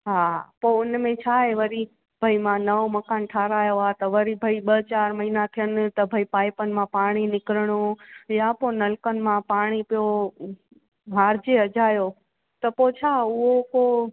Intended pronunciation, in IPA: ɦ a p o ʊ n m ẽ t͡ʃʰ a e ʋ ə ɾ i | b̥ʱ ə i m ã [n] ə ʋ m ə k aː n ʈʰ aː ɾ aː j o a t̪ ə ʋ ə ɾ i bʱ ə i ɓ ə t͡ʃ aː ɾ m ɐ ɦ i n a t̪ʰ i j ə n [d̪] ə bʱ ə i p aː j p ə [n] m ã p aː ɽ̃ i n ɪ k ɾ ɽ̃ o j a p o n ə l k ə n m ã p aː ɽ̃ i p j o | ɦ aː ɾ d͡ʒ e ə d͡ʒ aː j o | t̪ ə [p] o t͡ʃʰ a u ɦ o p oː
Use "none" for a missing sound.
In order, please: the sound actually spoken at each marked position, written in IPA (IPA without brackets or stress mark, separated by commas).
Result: n, t̪, n, p